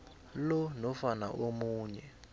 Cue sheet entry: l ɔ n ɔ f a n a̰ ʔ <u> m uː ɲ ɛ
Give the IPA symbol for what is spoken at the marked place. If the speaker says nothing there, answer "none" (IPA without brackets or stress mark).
o